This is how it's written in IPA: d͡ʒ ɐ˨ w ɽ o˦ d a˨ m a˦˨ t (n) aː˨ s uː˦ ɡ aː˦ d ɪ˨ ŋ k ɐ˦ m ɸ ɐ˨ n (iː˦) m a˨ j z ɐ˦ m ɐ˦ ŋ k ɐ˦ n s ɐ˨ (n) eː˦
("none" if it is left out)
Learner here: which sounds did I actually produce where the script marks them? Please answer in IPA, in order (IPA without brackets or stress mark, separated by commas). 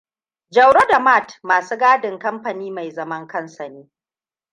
m, iː˦, n